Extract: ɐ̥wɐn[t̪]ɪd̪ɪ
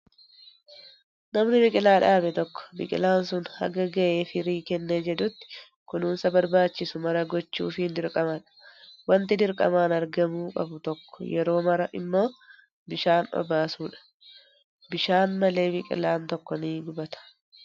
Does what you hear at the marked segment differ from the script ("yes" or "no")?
no